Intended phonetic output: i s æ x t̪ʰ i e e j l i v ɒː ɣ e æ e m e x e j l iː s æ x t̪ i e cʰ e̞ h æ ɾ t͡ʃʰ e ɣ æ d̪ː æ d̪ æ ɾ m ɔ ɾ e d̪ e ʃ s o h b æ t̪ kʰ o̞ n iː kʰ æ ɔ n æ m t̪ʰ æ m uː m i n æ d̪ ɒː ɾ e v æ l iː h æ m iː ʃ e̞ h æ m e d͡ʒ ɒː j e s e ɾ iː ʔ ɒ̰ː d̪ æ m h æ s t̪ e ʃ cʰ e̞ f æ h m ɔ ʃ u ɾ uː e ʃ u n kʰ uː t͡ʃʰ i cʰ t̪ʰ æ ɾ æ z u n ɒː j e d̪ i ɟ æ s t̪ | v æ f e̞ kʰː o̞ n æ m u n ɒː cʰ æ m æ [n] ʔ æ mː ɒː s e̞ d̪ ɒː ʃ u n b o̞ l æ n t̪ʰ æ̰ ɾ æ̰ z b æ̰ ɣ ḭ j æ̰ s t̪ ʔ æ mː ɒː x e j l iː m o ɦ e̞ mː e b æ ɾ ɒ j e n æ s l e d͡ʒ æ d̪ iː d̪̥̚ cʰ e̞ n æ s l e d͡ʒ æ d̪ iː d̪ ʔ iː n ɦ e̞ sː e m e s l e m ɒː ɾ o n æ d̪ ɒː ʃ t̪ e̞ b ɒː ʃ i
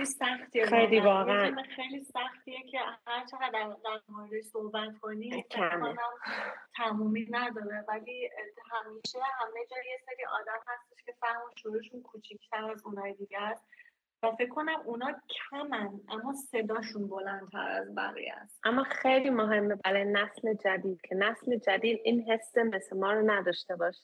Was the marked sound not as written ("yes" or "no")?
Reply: no